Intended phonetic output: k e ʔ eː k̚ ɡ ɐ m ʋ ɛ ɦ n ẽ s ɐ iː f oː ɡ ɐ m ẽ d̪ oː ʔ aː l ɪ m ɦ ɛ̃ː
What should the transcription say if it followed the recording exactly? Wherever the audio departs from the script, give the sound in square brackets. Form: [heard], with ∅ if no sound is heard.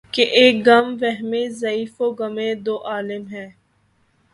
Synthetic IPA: k e ʔ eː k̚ ɡ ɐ m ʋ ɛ ɦ [m] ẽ [z] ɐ iː f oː ɡ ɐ m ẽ d̪ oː ʔ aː l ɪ m ɦ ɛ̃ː

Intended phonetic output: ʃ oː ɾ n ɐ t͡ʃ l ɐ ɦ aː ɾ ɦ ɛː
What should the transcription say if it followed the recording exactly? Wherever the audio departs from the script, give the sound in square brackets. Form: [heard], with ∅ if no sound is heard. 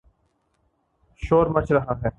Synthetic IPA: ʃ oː ɾ [m] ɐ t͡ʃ [ɾ] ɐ ɦ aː [∅] ɦ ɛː

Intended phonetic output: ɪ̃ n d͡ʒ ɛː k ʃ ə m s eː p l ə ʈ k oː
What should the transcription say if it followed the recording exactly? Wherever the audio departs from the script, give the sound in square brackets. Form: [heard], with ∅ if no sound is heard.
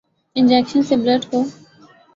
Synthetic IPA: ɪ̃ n d͡ʒ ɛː k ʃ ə [n] s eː [b] l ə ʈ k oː

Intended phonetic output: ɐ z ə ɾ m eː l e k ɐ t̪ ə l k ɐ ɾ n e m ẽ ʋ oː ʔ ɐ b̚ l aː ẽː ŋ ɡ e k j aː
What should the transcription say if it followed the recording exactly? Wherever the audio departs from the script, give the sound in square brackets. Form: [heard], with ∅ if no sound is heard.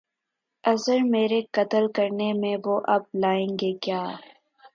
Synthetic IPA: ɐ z ə ɾ m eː [ɾ] e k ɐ t̪ ə l k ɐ ɾ n e m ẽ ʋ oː ʔ ɐ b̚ l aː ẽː ŋ ɡ e k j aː

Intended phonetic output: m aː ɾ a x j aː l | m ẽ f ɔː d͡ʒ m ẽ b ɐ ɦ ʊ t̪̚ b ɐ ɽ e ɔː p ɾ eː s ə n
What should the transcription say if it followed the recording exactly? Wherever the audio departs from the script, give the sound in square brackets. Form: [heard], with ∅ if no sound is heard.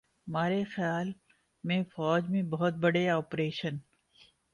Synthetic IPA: m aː ɾ [e] x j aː l | m ẽ f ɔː d͡ʒ m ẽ b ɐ ɦ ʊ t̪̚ b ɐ ɽ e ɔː p ɾ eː [ʃ] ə n

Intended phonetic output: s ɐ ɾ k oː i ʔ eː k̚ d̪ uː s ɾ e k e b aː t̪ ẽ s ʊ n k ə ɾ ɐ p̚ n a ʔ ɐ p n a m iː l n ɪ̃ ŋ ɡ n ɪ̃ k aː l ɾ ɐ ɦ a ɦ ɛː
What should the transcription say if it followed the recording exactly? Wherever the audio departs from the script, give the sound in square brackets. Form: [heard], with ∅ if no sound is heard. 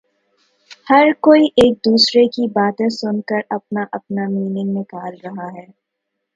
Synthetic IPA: [h] ɐ ɾ k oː i ʔ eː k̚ d̪ uː s ɾ e k [i] b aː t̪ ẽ s ʊ n k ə ɾ ɐ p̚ n a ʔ ɐ p n a m iː [∅] n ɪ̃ ŋ ɡ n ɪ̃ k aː l ɾ ɐ ɦ a ɦ ɛː

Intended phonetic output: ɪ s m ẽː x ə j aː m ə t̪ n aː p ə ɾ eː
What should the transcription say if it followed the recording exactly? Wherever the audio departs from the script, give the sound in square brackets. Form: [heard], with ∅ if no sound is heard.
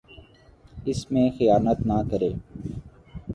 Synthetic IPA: ɪ s m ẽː x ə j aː [n] ə t̪ n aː [k] ə ɾ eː

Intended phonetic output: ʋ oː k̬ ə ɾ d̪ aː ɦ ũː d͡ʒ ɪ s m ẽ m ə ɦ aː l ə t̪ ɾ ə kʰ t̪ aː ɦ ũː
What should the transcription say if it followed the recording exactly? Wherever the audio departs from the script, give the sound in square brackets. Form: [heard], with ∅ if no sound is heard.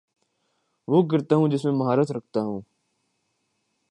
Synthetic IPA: ʋ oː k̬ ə ɾ [t̪] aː ɦ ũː d͡ʒ ɪ s m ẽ m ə ɦ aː [ɾ] ə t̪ ɾ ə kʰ t̪ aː ɦ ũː

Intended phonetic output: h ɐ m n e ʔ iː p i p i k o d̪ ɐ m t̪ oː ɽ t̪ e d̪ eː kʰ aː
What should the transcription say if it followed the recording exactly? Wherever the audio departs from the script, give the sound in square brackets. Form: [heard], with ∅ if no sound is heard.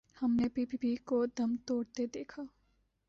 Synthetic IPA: h ɐ m n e [p] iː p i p i k o d̪ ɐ m t̪ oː ɽ t̪ e d̪ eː kʰ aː

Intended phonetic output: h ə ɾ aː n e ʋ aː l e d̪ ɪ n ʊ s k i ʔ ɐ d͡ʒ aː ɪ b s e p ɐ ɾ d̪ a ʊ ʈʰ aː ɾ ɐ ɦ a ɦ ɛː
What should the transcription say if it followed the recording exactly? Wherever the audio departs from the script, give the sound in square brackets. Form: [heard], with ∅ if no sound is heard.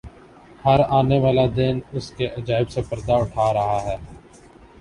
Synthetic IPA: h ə ɾ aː n e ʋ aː l [a] d̪ ɪ n ʊ s k [e] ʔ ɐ d͡ʒ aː ɪ b s e p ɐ ɾ d̪ a ʊ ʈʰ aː ɾ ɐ ɦ a ɦ ɛː

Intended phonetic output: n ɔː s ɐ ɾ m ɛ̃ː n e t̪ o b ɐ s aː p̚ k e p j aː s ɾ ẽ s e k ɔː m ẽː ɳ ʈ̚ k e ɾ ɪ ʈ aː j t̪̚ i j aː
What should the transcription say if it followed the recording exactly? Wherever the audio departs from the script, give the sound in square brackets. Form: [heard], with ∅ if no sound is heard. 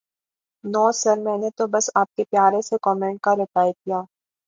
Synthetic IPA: n ɔː s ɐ ɾ m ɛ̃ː n e t̪ o b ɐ s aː p̚ k e p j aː [∅] ɾ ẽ s e k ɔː m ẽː ɳ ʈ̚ k [a] ɾ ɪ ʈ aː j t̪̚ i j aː

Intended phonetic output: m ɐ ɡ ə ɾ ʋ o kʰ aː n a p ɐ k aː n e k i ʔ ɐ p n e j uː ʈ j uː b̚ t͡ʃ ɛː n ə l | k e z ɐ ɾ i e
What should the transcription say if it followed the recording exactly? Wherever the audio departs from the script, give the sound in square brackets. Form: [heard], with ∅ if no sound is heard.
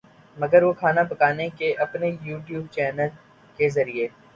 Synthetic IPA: m ɐ ɡ ə ɾ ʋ o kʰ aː n a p ɐ k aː n e k [e] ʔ ɐ p n e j uː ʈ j uː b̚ t͡ʃ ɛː n ə l | k e z ɐ ɾ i e

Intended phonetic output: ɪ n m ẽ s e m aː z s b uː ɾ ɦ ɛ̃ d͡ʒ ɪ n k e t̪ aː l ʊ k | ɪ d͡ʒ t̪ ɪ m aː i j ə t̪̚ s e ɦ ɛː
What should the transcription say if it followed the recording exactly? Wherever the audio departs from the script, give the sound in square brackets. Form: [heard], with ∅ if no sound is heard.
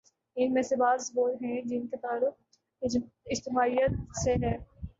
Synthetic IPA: ɪ n m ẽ s e [b] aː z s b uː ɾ ɦ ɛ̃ d͡ʒ ɪ n k e t̪ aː l ʊ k | ɪ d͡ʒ t̪ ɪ m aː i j ə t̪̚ s e ɦ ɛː

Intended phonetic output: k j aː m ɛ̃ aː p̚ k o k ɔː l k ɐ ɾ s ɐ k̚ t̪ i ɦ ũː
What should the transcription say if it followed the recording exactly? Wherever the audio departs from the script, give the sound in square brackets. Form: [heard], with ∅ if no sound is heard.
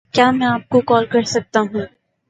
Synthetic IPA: k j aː m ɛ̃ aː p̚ k o k ɔː l k ɐ ɾ s ɐ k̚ t̪ [a] ɦ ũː

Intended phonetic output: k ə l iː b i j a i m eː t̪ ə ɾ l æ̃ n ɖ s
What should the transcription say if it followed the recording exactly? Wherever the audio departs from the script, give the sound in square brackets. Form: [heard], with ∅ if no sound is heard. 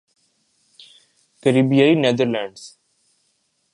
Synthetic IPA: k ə [ɾ] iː b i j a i [n] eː [d̪] ə ɾ l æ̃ [ɳ] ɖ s

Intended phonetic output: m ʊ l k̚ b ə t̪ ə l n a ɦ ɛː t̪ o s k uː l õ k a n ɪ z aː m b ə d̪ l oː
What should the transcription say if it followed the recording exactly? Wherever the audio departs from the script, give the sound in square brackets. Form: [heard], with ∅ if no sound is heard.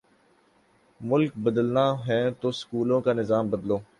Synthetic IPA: m ʊ l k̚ b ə [d̪] ə l n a ɦ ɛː t̪ o s k uː l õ k a n ɪ z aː m b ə d̪ l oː

